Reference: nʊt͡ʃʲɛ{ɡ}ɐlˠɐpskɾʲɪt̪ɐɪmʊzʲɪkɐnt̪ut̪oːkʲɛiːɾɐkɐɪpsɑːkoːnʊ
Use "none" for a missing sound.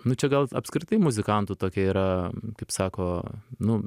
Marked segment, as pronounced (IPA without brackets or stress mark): ɡ